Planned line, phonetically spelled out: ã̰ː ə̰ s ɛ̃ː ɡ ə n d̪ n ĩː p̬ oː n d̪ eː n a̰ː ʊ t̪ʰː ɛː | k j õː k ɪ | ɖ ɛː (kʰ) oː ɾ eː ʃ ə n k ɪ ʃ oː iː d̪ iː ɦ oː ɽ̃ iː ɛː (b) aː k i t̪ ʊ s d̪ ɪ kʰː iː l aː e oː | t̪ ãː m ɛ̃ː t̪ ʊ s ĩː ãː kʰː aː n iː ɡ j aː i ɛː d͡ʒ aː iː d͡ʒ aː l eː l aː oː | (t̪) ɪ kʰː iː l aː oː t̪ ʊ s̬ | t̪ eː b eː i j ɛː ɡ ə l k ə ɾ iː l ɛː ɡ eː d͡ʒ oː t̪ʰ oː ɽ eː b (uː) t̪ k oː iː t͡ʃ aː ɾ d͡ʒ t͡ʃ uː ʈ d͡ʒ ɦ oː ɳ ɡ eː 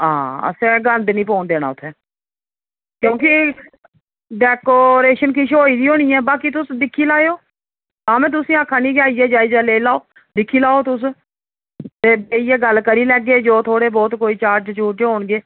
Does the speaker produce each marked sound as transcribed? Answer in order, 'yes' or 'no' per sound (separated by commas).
no, yes, no, no